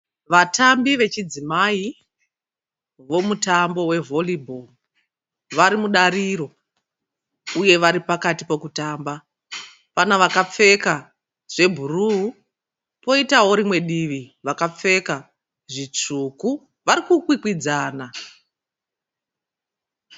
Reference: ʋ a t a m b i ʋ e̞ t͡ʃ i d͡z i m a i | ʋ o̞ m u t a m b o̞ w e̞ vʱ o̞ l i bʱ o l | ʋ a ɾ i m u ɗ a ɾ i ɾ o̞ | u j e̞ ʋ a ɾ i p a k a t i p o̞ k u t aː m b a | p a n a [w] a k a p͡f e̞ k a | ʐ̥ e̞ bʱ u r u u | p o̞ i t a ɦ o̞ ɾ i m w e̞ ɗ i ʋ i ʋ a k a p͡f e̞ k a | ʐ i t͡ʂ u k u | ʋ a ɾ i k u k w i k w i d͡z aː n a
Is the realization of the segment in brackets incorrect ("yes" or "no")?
yes